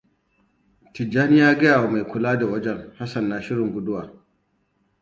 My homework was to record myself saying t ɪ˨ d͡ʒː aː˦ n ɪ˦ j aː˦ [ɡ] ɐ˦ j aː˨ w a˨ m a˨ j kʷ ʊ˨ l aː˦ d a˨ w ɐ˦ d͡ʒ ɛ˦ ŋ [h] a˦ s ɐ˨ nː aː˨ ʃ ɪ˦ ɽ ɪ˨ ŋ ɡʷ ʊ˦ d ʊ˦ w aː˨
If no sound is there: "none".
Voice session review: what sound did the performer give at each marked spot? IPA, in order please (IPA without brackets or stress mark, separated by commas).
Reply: ɡ, h